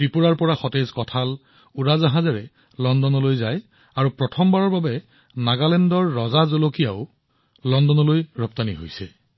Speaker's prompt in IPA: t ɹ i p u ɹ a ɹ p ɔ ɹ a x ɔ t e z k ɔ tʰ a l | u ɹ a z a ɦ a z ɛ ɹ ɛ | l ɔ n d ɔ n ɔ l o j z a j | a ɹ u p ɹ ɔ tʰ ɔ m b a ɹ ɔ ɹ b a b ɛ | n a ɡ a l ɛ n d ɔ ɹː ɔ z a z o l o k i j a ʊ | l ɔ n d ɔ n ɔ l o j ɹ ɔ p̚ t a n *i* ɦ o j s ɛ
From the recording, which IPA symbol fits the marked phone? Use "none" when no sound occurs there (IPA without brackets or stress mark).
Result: i